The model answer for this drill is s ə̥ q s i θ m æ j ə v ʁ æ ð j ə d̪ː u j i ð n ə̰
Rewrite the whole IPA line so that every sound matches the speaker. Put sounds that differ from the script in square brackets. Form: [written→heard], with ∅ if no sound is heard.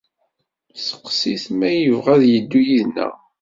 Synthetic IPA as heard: s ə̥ q s i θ m æ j ə v ʁ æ ð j ə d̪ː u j i ð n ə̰